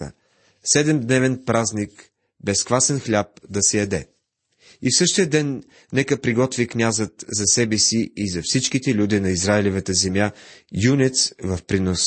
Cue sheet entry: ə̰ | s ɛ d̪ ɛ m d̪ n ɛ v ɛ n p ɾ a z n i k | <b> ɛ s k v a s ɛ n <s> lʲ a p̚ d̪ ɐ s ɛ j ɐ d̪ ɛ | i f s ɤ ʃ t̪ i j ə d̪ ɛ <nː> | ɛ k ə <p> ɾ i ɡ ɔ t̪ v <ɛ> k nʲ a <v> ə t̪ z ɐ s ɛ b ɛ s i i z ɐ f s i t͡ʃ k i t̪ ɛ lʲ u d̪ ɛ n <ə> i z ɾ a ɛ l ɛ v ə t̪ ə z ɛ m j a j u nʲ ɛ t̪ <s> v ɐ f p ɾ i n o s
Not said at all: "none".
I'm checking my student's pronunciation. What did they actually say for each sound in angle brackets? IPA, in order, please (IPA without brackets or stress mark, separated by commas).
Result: b, x, nː, p, i, z, ɐ, s